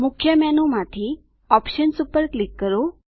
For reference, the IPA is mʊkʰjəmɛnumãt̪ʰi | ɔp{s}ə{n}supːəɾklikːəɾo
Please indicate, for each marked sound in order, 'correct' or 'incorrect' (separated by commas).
incorrect, correct